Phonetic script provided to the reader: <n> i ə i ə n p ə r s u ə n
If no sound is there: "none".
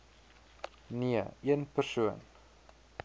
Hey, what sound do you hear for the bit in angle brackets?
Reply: n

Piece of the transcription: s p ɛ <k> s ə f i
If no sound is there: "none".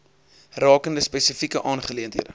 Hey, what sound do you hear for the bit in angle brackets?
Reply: none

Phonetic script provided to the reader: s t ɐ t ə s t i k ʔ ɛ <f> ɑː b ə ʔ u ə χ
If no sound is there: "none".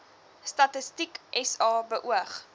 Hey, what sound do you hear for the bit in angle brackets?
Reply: s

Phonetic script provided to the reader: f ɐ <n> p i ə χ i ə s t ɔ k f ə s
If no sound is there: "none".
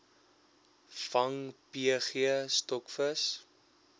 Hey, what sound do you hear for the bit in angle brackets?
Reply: ŋ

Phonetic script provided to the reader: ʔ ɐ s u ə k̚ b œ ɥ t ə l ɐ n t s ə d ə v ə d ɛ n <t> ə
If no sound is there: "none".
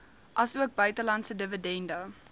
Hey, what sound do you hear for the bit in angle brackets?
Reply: d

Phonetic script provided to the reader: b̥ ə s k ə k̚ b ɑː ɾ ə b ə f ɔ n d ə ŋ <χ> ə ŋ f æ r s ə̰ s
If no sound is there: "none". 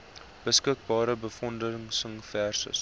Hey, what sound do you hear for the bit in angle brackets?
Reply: s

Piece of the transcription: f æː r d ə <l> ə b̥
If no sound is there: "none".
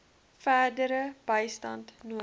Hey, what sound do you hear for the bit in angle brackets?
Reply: ɾ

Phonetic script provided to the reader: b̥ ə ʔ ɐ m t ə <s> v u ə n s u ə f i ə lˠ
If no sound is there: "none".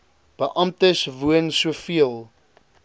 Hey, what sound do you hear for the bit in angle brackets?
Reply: s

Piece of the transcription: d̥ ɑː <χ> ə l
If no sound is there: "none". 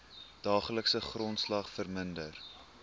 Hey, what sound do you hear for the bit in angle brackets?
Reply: χ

